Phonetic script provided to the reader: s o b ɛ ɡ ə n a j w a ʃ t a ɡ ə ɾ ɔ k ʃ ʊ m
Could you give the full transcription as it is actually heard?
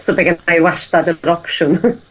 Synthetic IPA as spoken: s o b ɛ ɡ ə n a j w a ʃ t a d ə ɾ ɔ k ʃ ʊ n